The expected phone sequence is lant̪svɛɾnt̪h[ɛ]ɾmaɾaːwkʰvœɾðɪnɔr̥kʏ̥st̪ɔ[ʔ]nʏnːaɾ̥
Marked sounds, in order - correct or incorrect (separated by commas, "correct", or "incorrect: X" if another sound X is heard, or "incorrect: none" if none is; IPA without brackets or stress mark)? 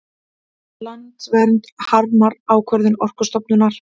incorrect: a, incorrect: p